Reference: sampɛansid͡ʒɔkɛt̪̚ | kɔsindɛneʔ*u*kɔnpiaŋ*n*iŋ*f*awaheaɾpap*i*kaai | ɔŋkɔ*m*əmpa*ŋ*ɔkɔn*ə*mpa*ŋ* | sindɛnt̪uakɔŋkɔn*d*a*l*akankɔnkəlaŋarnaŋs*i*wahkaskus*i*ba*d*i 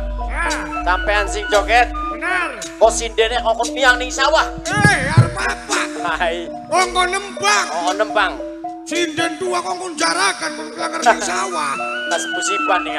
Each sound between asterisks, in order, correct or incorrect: incorrect: ɔ, correct, incorrect: s, incorrect: a, incorrect: n, correct, correct, correct, incorrect: d͡ʒ, incorrect: ɾ, incorrect: a, correct, incorrect: n

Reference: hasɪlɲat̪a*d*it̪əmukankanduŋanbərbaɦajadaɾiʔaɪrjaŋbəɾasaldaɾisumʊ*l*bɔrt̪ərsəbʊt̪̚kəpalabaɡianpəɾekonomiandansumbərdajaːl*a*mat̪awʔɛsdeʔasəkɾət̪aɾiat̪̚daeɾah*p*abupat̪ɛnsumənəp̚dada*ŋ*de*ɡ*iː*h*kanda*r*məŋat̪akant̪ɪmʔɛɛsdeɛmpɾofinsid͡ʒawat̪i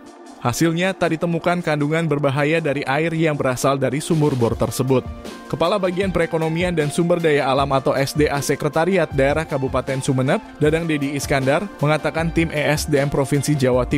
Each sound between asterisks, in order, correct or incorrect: correct, incorrect: r, correct, incorrect: k, correct, incorrect: d, incorrect: s, correct

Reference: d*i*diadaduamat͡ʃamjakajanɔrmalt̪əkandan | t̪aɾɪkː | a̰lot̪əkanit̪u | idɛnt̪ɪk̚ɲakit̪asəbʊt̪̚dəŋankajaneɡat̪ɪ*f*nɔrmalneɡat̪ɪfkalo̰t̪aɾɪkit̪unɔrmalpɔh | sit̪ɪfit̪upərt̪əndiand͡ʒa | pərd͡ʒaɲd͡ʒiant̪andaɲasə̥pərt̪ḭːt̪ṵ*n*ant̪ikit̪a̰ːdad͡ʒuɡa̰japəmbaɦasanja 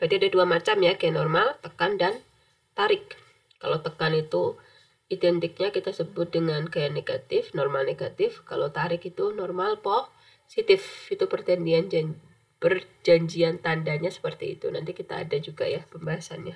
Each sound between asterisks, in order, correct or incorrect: incorrect: a, correct, correct

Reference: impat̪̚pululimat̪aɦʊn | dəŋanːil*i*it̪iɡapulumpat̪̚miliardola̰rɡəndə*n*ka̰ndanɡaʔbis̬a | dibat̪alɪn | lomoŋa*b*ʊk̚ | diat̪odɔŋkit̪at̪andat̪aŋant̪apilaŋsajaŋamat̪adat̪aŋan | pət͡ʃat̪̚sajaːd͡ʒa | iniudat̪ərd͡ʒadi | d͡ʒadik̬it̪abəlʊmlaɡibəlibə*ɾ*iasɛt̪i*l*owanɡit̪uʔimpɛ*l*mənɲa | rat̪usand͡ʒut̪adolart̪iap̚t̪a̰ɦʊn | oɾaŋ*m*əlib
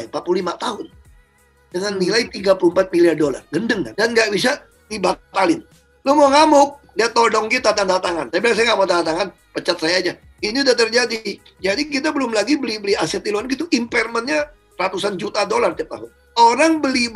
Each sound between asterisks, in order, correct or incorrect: incorrect: a, incorrect: ŋ, incorrect: m, incorrect: l, correct, incorrect: r, incorrect: b

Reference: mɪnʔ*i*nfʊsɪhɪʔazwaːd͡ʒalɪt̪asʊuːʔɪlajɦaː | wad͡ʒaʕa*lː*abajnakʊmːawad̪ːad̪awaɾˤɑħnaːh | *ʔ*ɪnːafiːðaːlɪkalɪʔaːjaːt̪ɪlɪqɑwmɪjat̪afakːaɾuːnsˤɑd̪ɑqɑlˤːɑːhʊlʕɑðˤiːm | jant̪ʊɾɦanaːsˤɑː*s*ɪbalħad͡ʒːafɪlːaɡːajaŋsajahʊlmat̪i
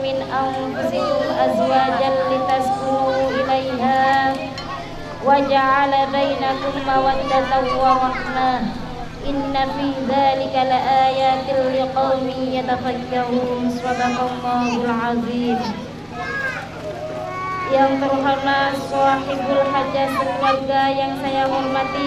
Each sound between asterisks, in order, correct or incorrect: incorrect: a, incorrect: l, correct, incorrect: ħ

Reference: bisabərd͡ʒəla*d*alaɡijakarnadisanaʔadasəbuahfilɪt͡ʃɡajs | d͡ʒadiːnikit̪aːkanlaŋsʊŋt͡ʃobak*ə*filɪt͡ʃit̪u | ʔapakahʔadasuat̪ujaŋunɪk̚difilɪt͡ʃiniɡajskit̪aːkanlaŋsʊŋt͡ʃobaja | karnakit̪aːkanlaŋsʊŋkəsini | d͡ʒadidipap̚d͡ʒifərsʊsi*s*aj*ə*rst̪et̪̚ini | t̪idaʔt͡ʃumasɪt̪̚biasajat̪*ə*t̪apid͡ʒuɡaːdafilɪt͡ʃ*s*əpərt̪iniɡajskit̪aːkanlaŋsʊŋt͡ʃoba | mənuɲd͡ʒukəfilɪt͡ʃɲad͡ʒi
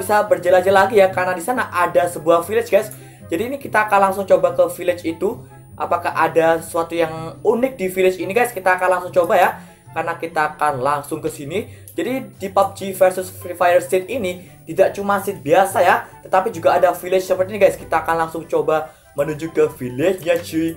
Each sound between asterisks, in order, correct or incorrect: incorrect: d͡ʒ, correct, incorrect: f, correct, correct, correct

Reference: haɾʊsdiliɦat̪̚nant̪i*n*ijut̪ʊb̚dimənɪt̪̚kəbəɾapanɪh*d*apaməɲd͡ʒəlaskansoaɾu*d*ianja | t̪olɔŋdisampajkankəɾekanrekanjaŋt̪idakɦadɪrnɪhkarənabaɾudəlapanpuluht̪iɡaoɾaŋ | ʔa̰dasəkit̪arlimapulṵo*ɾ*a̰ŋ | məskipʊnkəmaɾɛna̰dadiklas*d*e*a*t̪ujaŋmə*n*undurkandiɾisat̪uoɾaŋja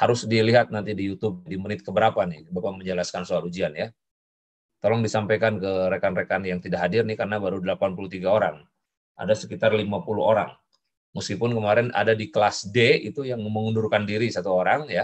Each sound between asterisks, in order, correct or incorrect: incorrect: d, incorrect: b, incorrect: d͡ʒ, correct, correct, incorrect: i, incorrect: ŋ

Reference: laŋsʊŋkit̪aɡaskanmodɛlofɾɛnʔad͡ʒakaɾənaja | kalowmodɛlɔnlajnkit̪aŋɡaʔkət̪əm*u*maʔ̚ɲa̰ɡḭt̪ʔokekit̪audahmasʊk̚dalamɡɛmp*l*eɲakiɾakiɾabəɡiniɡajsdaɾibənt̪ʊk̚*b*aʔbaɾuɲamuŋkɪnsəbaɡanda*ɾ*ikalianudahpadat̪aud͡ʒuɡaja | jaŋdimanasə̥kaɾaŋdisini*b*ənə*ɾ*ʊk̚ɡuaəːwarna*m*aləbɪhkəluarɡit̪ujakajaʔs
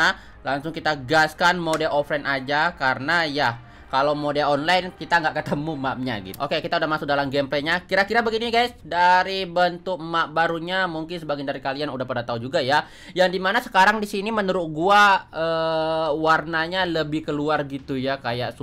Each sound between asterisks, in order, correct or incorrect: correct, correct, incorrect: m, correct, incorrect: m, correct, incorrect: ɲ

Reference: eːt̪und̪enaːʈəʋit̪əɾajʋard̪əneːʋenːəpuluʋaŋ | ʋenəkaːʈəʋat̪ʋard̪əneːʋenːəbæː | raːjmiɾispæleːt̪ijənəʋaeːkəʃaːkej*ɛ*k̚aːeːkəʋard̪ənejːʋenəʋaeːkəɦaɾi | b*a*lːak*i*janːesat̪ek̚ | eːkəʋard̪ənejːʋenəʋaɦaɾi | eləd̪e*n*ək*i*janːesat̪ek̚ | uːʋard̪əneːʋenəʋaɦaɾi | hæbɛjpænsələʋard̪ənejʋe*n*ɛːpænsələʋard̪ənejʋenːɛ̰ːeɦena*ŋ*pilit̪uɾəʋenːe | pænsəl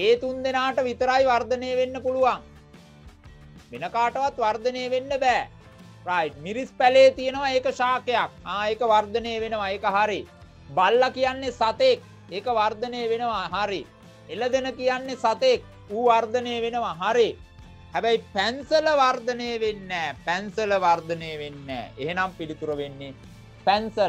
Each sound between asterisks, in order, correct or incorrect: incorrect: a, correct, correct, correct, correct, incorrect: nː, incorrect: m

